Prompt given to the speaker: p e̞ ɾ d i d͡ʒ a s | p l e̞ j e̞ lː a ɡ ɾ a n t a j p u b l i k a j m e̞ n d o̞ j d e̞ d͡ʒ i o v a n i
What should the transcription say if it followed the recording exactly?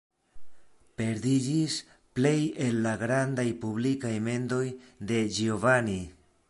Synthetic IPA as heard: p e̞ ɾ d i d͡ʒ i s | p l e̞ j e̞ lː a ɡ ɾ a n d a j p u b l i k a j m e̞ n d o̞ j d e̞ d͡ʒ i o v a n i